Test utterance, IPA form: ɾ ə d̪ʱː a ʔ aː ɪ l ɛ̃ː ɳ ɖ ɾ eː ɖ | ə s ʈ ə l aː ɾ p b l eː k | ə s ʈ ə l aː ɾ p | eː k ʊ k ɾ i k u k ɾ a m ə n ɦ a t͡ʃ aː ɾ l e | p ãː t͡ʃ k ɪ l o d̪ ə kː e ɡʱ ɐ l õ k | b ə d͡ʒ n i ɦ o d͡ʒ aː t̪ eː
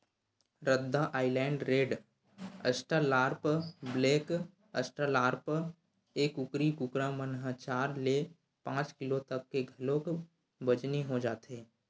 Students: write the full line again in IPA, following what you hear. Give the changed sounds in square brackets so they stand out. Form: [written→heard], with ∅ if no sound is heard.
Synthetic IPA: ɾ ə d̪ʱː a ʔ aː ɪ l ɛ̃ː ɳ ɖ ɾ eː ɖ | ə s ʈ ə l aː ɾ p b l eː k | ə s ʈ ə l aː ɾ p | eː k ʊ k ɾ i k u k ɾ a m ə n ɦ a t͡ʃ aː ɾ l e | p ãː t͡ʃ k ɪ l o [d̪→t̪] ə kː e ɡʱ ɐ l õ k | b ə d͡ʒ n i ɦ o d͡ʒ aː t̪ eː